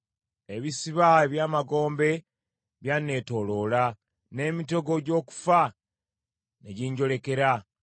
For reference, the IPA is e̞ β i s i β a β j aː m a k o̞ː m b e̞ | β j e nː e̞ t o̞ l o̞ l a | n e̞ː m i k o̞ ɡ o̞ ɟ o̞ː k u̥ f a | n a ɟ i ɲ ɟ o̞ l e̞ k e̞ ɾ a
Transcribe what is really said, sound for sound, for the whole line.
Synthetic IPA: e̞ β i s i β a β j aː m a ɡ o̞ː m b e̞ | β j a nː e̞ t o̞ l o̞ l a | n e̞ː m i t o̞ ɡ o̞ ɟ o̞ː k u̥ f a | n e ɟ i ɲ ɟ o̞ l e̞ k e̞ ɾ a

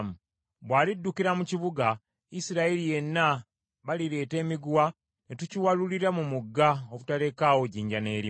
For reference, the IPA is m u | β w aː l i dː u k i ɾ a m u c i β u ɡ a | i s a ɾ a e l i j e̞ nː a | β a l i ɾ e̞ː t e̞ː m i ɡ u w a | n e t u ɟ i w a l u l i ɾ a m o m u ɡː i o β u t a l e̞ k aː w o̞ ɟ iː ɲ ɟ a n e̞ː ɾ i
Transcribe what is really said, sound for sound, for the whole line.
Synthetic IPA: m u | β w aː l i dː u k i ɾ a m u c i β u ɡ a | i s i ɾ a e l i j e̞ nː a | β a l i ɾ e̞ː t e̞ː m i ɡ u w a | n e t u c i w a l u l i ɾ a m u m u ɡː a o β u t a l e̞ k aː w o̞ ɟ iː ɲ ɟ a n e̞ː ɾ i

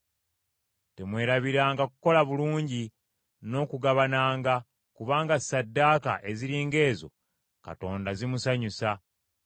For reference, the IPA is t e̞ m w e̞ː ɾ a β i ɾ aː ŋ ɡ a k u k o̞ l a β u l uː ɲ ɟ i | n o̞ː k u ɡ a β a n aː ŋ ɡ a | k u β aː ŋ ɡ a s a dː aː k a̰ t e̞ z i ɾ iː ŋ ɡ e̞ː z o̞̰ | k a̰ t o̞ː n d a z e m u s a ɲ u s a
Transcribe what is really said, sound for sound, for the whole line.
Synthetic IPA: t e̞ m w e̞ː ɾ a β i ɾ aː ŋ ɡ a k u k o̞ l a β u l uː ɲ ɟ i | n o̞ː k u ɡ a β a n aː ŋ ɡ a | k u β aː ŋ ɡ a s a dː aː k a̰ ʔ e̞ z i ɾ iː ŋ ɡ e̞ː z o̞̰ | k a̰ t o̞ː n d a z i m u s a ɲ u s a

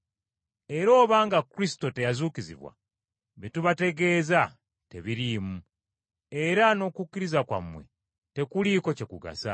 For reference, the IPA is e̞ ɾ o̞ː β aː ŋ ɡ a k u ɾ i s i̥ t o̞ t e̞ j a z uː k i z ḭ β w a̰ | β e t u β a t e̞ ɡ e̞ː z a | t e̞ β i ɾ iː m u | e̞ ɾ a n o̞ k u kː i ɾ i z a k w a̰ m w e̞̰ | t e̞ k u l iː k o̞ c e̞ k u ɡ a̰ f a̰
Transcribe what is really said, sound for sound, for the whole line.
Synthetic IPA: e̞ ɾ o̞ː β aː ŋ ɡ a k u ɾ i s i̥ t o̞ t e̞ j a z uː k i z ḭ β w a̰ | β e t u β a t e̞ ɡ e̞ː z a | t e̞ β i ɾ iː m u | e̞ ɾ a n o̞ k u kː i ɾ i z a k w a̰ m w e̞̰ | t e̞ k u l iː k o̞ c e̞ k u ɡ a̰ s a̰

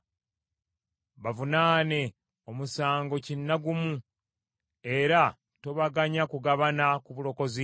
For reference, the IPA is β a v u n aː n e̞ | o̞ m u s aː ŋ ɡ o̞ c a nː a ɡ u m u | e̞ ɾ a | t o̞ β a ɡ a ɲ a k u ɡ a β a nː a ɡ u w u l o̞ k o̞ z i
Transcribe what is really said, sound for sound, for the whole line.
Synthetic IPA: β a v u n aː n e̞ | o̞ m u s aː ŋ ɡ o̞ c i nː a ɡ u m u | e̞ ɾ a | t o̞ β a ɡ a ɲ a k u ɡ a β a n a k u β u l o̞ k o̞ z i

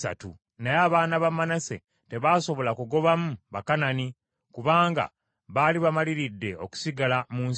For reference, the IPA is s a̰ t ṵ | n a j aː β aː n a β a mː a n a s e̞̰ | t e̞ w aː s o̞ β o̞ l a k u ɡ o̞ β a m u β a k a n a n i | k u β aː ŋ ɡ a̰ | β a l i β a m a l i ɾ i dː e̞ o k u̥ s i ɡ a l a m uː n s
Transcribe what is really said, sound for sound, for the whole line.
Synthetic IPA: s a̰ t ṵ | n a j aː β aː n a β a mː a n a s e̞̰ | t e̞ β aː s o̞ β o̞ l a k u ɡ o̞ β a m u β a k a n a n i | k u β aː ŋ ɡ a̰ | β a l i β a m a l i ɾ i dː e̞ o k u̥ s i ɡ a l a m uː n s

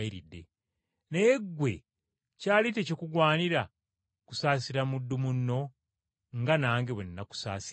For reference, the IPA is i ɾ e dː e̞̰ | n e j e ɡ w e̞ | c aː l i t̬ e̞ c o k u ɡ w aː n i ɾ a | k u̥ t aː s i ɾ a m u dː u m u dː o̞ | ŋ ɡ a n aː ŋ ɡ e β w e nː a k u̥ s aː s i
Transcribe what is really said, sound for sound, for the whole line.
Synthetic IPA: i ɾ i dː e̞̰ | n e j e ɡ w e̞ | c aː l i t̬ e̞ c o k u ɡ w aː n i ɾ a | k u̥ s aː s i ɾ a m u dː u m u nː o̞ | ŋ ɡ a n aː ŋ ɡ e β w e nː a k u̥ s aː s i

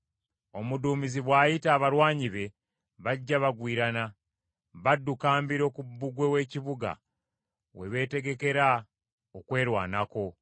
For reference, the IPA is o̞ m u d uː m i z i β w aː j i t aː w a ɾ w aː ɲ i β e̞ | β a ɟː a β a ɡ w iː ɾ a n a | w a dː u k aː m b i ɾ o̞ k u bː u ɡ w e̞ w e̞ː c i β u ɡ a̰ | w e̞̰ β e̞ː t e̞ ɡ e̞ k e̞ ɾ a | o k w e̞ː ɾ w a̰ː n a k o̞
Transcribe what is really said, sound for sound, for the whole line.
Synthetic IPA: o̞ m u d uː m i z i β w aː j i t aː β a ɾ w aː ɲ i β e̞ | β a ɟː a β a ɡ w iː ɾ a n a | β a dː u k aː m b i ɾ o̞ k u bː u ɡ w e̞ w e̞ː c i β u ɡ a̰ | w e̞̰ β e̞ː t e̞ ɡ e̞ k e̞ ɾ a | o k w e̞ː ɾ w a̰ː n a k o̞

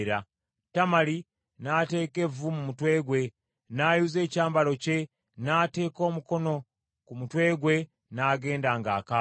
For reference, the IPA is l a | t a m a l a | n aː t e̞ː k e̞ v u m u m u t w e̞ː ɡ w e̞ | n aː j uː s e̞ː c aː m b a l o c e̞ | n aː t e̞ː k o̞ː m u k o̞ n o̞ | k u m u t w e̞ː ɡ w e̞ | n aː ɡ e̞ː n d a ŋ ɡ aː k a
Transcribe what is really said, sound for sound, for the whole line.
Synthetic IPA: ɾ a | t a m a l i | n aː t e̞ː k e̞ v u m u m u t w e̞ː ɡ w e̞ | n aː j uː z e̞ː c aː m b a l o c e̞ | n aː t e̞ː k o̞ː m u k o̞ n o̞ | k u m u t w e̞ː ɡ w e̞ | n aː ɡ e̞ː n d a ŋ ɡ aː k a

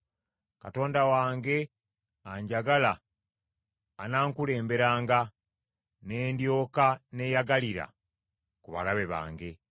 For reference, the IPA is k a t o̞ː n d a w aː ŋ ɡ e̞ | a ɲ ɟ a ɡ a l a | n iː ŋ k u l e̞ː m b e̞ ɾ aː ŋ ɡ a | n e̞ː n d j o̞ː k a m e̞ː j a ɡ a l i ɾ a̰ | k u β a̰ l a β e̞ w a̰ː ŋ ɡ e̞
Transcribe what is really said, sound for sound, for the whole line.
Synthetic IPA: k a t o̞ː n d a w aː ŋ ɡ e̞ | a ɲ ɟ a ɡ a l a | n aː ŋ k u l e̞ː m b e̞ ɾ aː ŋ ɡ a | n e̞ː n d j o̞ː k a n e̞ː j a ɡ a l i ɾ a̰ | k u β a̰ l a β e̞ β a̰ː ŋ ɡ e̞

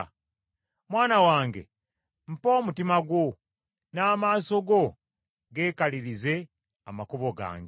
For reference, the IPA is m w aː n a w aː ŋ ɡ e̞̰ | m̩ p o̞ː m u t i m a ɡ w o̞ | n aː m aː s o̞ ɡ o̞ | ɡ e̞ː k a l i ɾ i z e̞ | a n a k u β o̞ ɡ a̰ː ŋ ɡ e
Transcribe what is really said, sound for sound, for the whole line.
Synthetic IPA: m w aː n a w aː ŋ ɡ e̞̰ | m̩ p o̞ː m u t i m a ɡ w o̞ | n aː m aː s o̞ ɡ o̞ | ɡ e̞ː k a l i ɾ i z e̞ | a m a k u β o̞ ɡ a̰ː ŋ ɡ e

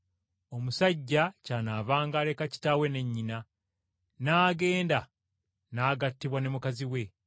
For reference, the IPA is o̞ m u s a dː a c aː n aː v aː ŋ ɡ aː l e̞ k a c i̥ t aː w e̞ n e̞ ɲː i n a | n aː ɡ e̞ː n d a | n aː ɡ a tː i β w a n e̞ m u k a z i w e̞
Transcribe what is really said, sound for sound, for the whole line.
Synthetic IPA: o̞ m u s a ɟː a c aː n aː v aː ŋ ɡ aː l e̞ k a c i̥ t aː w e̞ n e̞ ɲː i n a | n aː ɡ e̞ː n d a | n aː ɡ a tː i β w a n e̞ m u k a z i w e̞

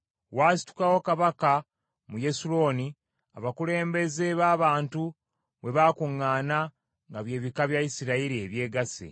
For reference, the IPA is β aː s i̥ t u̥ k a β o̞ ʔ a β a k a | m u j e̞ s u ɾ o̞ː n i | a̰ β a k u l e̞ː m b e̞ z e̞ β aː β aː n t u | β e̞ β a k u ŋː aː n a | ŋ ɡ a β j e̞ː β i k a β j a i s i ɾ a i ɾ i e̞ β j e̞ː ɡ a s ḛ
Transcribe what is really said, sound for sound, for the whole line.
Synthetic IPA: w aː s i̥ t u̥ k a w o̞ k a β a k a | m u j e̞ s u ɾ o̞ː n i | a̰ β a k u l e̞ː m b e̞ z e̞ β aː β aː n t u | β e̞ β a k u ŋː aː n a | ŋ ɡ a β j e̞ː β i k a β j a i s i ɾ a i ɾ i e̞ β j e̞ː ɡ a s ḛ

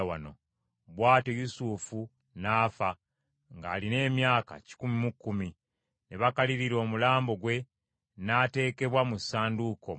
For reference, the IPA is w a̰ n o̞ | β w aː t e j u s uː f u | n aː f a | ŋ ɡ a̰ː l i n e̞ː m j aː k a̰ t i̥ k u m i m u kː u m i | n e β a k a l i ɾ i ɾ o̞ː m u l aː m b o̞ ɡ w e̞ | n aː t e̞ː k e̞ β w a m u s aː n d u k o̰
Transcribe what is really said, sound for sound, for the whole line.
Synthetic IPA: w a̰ n o̞ | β w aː t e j u s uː f u | n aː f a | ŋ ɡ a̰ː l i n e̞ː m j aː k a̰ c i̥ k u m i m u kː u m i | n e β a k a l i ɾ i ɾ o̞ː m u l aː m b o̞ ɡ w e̞ | n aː t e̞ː k e̞ β w a m u s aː n d u k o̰

